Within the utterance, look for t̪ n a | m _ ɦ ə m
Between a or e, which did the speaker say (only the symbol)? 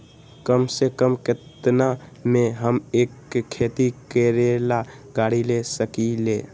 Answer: e